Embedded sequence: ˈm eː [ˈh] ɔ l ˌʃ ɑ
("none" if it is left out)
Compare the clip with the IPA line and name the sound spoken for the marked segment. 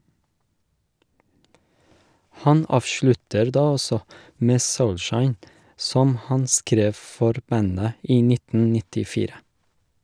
s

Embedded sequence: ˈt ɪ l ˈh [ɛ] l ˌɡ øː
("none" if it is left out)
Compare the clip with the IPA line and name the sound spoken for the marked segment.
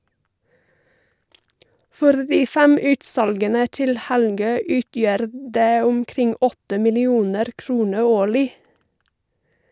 æ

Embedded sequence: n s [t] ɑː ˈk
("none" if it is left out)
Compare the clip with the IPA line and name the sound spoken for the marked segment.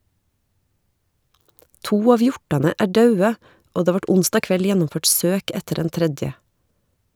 t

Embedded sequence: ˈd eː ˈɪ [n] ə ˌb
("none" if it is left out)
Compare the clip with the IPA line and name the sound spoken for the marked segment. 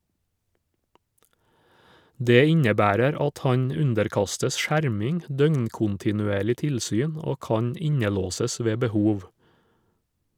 ɲ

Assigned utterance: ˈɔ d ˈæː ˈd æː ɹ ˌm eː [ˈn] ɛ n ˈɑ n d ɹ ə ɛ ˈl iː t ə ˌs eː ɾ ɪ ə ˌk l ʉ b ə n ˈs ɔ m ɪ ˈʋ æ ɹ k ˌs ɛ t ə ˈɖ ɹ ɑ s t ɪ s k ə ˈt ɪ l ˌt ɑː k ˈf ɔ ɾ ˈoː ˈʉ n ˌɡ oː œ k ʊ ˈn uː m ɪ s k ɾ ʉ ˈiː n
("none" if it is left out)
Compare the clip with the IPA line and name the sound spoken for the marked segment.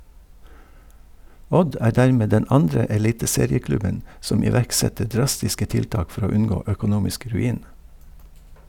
d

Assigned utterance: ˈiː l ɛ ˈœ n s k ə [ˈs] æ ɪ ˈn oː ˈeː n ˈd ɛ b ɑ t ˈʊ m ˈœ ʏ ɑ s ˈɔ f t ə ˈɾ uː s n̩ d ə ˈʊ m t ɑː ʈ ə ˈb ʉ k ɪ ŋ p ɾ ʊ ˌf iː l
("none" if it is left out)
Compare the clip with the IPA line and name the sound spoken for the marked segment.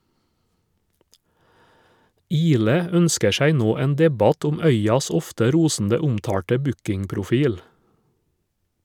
ʃ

